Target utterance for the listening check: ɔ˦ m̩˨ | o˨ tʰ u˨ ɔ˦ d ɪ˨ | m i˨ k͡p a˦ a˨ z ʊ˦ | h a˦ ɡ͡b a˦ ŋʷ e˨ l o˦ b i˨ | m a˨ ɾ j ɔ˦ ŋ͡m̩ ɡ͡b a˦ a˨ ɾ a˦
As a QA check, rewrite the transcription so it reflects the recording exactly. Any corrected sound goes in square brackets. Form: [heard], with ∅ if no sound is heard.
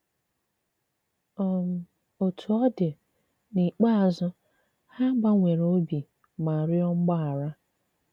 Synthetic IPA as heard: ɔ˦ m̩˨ | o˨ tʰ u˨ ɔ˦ d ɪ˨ | [n] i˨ k͡p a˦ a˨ z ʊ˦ | h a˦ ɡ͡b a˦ ŋʷ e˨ [ɾ] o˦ b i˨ | m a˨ ɾ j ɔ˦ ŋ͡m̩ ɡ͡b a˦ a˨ ɾ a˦